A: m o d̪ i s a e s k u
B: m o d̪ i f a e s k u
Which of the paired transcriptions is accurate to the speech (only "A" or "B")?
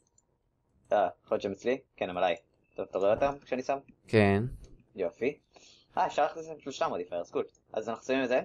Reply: B